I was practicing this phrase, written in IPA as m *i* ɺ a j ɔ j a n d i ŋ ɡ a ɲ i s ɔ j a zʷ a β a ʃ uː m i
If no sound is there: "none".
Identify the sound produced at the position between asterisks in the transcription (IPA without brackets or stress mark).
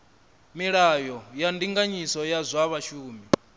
i